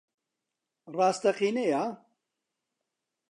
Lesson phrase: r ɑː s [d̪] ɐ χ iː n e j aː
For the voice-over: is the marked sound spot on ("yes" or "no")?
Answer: no